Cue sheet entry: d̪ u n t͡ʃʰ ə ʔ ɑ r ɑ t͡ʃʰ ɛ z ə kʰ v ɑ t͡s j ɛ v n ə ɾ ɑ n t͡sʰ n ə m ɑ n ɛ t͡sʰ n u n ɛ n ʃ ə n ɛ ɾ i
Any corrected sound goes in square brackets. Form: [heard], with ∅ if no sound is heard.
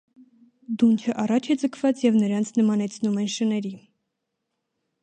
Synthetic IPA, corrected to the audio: d̪ u n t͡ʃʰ ə ʔ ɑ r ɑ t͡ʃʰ ɛ [d͡z] ə kʰ v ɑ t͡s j ɛ v n ə ɾ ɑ n t͡sʰ n ə m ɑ n ɛ t͡sʰ n u [m] ɛ n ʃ ə n ɛ ɾ i